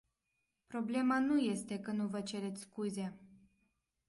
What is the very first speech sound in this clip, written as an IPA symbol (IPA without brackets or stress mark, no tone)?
p